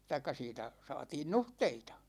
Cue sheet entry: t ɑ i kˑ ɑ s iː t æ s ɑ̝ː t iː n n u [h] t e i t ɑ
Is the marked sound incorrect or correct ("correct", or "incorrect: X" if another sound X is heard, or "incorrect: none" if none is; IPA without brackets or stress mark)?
correct